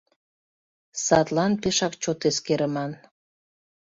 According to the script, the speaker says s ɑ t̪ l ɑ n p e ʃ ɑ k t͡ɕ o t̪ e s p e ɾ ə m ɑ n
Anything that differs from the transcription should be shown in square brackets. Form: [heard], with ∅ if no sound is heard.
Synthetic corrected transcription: s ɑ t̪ l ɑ n p e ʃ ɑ k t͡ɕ o t̪ e s [k] e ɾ ə m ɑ n